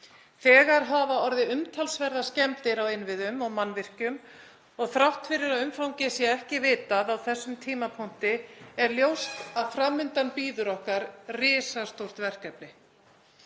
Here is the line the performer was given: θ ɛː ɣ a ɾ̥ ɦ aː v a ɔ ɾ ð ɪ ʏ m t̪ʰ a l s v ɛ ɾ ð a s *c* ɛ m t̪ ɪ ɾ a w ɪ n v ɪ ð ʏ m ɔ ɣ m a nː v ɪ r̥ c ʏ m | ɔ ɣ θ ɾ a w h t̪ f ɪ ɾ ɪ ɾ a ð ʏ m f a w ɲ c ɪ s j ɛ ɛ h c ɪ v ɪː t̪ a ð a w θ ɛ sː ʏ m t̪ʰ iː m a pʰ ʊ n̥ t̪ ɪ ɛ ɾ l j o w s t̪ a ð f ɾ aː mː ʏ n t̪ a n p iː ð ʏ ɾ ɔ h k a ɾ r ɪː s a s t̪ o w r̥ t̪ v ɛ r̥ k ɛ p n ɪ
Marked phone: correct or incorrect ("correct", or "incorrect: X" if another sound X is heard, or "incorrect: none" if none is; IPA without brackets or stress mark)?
correct